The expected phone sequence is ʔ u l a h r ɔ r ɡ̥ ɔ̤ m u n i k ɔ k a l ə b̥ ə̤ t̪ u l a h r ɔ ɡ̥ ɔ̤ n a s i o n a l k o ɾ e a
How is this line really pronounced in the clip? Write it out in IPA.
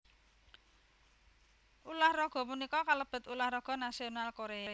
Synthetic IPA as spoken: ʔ u l a h r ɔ ɡ̥ ɔ̤ m u n i k ɔ k a l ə b̥ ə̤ t̪ u l a h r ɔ ɡ̥ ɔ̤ n a s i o n a l k o ɾ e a